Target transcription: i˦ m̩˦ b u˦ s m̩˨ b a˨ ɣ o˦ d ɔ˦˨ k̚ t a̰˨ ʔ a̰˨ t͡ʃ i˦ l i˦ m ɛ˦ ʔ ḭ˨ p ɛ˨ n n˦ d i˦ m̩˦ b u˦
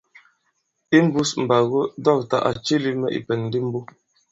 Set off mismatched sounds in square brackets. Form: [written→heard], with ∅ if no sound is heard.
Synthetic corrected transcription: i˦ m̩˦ b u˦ s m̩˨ b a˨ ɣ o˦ d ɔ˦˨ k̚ t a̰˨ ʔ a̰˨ t͡ʃ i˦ l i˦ m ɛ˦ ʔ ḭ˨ p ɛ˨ n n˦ d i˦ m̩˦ b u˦